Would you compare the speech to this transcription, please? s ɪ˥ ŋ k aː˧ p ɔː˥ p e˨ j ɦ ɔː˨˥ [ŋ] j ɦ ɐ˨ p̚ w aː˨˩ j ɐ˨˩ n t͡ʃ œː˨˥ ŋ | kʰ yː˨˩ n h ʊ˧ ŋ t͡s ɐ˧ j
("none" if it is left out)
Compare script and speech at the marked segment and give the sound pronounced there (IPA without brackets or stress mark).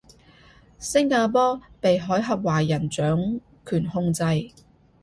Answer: none